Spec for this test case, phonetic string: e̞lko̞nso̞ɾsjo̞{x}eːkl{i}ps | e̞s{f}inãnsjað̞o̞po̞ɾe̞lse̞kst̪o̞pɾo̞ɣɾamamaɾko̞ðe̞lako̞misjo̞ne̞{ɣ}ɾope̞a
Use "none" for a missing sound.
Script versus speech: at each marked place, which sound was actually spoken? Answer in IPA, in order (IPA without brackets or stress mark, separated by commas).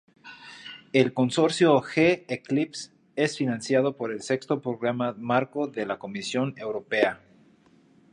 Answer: x, i, f, w